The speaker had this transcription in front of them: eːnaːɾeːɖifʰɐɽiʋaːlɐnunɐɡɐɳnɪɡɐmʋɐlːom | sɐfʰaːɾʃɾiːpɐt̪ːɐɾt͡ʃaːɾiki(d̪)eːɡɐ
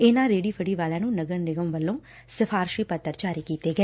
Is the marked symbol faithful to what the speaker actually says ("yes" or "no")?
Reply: no